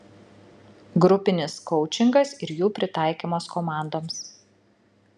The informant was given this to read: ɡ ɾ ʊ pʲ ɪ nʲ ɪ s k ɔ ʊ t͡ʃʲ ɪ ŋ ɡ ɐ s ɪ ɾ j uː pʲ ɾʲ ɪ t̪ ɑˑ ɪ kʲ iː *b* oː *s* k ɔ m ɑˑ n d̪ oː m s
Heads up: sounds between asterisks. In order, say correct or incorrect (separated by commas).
incorrect, correct